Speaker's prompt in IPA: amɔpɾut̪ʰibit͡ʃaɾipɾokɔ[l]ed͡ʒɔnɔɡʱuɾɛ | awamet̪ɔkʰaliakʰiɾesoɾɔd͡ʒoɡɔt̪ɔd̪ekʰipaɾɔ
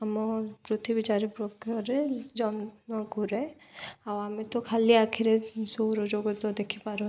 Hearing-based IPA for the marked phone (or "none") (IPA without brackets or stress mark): ɾ